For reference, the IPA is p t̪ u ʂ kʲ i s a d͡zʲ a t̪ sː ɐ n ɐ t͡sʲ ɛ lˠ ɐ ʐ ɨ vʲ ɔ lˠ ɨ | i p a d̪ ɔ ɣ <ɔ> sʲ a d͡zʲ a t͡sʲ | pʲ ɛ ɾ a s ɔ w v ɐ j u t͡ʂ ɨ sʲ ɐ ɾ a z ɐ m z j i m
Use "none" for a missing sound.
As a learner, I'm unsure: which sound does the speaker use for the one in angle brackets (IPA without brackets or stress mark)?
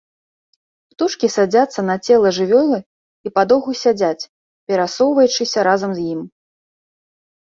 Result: u